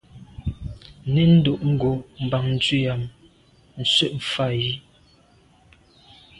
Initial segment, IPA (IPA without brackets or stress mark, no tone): n